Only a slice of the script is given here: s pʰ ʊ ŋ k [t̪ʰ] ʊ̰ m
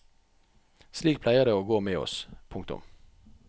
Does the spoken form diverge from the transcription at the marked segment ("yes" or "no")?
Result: yes